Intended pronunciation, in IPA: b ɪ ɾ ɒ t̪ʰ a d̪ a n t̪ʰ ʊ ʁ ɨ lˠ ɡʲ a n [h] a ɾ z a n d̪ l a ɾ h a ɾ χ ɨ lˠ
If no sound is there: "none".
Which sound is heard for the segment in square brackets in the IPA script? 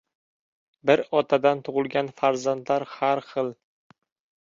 f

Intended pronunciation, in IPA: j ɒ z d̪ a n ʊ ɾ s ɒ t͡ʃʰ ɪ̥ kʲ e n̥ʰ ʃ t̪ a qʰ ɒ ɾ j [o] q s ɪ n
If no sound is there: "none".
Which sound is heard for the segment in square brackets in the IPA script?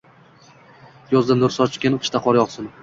ɒ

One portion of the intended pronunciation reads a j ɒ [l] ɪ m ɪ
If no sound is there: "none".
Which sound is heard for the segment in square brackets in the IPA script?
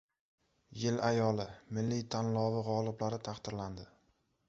l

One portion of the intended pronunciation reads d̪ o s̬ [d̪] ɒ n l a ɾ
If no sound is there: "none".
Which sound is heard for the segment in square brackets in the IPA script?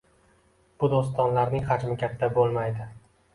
t̪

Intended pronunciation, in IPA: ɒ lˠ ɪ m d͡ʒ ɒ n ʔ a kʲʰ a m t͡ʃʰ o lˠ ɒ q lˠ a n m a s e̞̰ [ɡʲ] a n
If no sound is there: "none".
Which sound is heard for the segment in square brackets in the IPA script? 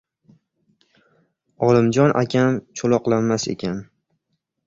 kʲ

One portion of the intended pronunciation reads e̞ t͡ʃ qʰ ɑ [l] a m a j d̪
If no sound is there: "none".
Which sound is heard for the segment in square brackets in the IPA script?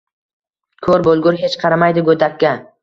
ɾ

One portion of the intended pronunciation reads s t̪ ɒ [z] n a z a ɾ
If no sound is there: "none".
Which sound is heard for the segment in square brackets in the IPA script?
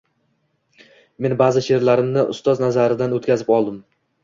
z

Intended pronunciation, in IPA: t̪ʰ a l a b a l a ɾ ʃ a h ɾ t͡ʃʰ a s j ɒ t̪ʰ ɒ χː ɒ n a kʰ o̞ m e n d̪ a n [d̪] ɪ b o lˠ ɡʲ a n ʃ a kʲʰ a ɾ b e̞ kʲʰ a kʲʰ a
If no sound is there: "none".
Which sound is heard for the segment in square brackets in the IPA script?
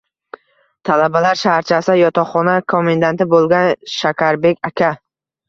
t̪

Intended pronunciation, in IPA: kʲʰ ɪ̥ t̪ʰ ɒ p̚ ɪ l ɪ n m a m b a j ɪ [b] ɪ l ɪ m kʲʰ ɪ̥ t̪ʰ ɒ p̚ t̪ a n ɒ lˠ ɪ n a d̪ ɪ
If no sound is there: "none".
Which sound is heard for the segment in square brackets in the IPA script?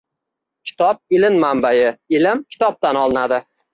none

